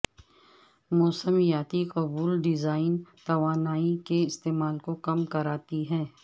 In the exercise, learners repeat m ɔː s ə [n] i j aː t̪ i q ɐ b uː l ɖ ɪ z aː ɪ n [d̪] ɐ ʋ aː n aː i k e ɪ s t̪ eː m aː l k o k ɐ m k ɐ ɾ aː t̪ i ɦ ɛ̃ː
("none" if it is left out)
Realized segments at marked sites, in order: m, t̪

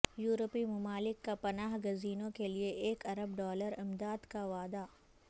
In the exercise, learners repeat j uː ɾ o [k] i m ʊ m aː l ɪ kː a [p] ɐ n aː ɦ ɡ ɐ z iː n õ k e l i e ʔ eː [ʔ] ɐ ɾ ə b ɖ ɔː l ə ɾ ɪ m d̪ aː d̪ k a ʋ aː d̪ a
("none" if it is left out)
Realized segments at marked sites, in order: p, p, k

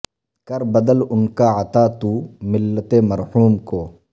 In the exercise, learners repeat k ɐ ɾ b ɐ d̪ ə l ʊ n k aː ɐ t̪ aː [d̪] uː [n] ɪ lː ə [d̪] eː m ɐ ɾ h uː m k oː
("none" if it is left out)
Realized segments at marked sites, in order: t̪, m, t̪

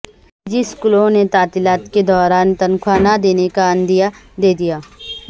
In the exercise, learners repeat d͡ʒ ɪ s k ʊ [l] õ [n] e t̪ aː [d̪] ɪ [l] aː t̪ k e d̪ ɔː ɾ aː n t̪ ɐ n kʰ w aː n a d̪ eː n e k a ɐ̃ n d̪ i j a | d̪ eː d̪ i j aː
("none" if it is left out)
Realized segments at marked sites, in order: l, n, t̪, l

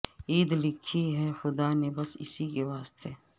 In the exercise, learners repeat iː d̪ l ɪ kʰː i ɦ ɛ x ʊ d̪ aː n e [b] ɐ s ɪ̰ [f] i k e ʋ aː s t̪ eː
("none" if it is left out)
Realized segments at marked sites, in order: b, s

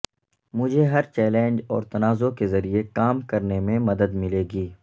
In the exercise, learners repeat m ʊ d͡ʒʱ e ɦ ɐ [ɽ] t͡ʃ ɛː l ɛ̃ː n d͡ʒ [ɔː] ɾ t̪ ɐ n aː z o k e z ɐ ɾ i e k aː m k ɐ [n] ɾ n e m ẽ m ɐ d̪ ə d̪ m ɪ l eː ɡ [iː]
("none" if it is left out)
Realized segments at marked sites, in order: ɾ, ɔː, none, iː

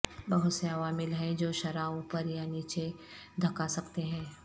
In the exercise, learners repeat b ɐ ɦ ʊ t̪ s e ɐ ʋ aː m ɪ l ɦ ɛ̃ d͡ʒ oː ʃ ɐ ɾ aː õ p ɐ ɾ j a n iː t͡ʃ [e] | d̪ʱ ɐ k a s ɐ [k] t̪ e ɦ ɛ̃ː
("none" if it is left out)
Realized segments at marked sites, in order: e, k

